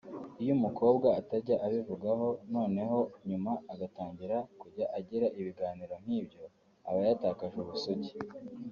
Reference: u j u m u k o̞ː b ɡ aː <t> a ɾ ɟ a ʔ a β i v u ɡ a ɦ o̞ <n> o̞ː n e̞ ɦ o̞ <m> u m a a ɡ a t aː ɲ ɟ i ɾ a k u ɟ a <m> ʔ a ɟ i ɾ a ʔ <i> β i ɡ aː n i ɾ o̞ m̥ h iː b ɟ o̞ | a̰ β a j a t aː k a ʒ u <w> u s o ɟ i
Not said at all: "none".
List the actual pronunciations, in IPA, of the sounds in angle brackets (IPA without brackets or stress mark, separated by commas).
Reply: t, n, ɲ, none, i, β